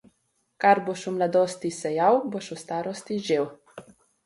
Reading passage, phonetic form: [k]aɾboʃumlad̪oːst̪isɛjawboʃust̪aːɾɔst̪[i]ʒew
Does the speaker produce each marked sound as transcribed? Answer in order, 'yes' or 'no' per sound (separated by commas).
yes, yes